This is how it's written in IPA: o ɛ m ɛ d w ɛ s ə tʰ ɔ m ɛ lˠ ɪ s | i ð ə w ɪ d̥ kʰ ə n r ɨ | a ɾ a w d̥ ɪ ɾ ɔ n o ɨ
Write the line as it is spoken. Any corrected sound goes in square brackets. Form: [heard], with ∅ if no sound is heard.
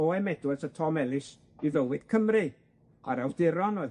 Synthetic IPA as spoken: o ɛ m ɛ d w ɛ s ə tʰ ɔ m ɛ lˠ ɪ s | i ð ə w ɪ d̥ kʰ ə [m] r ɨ | a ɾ a w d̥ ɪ ɾ ɔ n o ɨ